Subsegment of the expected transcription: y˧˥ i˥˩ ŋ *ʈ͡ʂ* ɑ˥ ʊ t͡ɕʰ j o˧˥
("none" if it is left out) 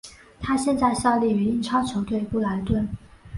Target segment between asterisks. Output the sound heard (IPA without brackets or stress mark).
ʈ͡ʂʰ